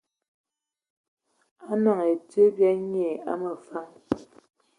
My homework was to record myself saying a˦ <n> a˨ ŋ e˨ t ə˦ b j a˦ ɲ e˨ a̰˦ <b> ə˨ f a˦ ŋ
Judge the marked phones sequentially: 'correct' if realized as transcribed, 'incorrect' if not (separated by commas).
correct, incorrect